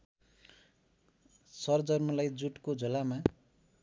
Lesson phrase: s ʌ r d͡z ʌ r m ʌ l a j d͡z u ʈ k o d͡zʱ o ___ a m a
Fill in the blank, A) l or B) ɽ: A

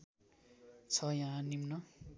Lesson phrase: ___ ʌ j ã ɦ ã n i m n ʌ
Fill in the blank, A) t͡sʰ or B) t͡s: A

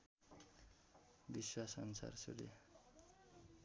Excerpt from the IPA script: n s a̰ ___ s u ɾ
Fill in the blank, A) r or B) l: A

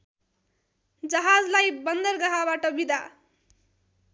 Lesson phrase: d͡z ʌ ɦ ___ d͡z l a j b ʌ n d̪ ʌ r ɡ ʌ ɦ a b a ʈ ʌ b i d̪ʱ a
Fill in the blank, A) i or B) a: B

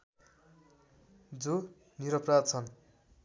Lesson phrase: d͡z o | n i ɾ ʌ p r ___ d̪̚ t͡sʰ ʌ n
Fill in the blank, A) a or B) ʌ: A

